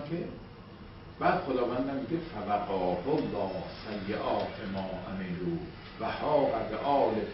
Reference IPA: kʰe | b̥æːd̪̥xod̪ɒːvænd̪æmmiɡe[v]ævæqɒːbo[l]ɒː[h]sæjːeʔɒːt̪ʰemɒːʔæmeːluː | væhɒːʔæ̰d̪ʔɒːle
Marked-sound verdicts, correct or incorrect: incorrect: f, incorrect: lː, correct

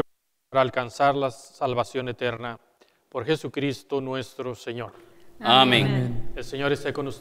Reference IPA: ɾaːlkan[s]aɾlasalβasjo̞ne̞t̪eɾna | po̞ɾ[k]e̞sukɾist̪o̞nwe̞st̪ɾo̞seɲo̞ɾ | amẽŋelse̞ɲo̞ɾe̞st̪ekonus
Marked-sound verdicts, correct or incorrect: correct, incorrect: x

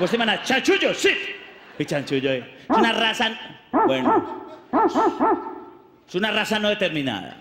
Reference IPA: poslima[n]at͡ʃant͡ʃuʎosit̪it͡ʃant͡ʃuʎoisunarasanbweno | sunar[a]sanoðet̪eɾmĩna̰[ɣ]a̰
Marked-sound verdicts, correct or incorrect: correct, correct, incorrect: ð

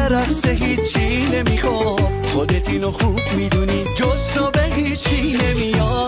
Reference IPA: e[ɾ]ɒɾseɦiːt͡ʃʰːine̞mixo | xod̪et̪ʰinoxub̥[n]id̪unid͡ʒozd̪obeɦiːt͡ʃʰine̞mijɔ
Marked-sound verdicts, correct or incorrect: correct, incorrect: m

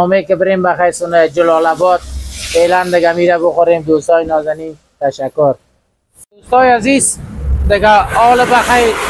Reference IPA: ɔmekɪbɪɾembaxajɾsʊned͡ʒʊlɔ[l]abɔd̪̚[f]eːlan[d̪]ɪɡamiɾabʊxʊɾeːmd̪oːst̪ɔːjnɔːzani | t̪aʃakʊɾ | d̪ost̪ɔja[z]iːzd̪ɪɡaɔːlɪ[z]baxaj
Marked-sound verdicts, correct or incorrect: correct, correct, correct, correct, incorrect: none

